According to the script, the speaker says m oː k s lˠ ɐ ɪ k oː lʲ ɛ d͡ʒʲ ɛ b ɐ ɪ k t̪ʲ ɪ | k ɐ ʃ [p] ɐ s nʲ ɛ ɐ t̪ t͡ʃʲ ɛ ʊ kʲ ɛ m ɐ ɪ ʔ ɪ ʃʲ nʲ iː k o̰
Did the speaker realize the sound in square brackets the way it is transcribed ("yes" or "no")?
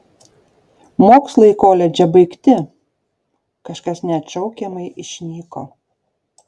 no